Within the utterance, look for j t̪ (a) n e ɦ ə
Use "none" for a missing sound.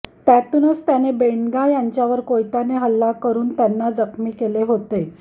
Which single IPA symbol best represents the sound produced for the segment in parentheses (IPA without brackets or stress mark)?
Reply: a